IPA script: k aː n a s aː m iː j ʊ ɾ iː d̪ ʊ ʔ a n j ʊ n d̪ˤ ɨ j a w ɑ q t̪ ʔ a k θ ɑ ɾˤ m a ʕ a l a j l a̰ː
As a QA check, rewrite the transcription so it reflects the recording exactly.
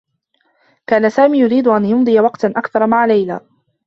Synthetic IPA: k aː n a s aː m iː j ʊ ɾ iː d̪ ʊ ʔ a n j ʊ n d̪ˤ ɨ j a w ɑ q t̪ ʔ a k θ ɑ ɾˤ m a ʕ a l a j l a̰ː